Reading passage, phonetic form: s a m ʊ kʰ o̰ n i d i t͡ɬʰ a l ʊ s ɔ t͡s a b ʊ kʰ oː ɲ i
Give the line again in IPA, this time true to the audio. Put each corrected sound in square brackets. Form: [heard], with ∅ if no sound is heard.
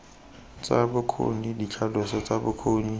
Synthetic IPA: [t͡s] a [b] ʊ kʰ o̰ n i d i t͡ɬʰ a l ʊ s ɔ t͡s a b ʊ kʰ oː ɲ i